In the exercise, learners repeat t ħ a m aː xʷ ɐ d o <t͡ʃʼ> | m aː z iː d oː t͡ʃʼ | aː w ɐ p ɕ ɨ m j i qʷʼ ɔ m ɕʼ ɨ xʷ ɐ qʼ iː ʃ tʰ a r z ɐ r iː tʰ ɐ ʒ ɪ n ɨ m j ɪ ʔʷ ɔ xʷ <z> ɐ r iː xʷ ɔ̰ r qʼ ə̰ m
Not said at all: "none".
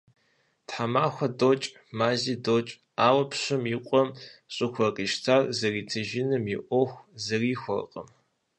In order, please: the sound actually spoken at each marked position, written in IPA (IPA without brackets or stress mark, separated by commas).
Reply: t͡ʃʼ, z